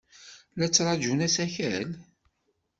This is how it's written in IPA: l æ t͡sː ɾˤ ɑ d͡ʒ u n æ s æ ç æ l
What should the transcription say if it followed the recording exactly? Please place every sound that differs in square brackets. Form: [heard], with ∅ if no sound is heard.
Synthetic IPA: l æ t͡sː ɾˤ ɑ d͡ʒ u n æ s æ ç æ l